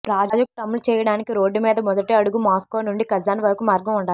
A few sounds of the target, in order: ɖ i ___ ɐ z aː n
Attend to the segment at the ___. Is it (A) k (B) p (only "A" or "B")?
A